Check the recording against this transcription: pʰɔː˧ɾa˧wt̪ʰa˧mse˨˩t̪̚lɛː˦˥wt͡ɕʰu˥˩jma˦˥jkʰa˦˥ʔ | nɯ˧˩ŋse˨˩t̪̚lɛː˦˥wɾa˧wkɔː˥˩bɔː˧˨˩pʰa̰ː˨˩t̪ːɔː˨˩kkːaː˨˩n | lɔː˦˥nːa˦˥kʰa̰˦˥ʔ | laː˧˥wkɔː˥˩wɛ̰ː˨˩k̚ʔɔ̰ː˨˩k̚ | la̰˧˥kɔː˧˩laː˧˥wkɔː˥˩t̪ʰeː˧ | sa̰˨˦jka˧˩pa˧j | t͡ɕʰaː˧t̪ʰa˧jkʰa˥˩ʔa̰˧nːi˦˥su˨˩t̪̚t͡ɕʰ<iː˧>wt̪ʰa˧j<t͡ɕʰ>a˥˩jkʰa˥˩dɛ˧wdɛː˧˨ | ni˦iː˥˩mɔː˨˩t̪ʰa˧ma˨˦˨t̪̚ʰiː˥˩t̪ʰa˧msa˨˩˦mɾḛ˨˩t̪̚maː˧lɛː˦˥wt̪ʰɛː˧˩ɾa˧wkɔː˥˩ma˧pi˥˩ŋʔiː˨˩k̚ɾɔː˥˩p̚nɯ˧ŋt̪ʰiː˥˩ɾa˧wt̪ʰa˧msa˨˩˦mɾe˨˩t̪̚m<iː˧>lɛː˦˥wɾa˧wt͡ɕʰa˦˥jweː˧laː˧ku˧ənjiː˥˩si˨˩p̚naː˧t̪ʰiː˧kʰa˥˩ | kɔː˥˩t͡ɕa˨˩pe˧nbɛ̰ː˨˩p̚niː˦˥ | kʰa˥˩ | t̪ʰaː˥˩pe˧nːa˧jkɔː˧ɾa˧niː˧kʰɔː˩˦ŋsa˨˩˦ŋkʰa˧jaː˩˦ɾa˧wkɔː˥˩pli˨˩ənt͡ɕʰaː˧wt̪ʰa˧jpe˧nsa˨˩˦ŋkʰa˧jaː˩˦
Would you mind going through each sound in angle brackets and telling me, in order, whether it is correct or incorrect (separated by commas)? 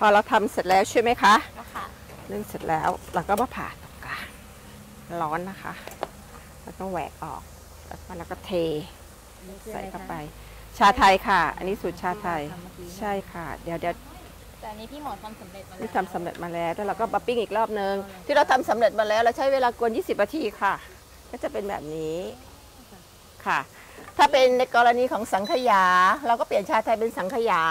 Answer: incorrect, correct, incorrect